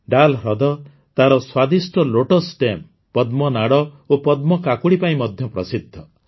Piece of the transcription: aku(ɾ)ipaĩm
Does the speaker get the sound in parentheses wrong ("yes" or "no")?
yes